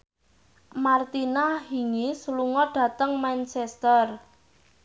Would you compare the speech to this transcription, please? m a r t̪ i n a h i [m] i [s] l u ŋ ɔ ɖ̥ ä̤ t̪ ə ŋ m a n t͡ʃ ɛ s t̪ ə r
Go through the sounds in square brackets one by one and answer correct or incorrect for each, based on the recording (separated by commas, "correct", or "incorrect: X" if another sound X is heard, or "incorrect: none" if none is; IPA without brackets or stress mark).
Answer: incorrect: ŋ, correct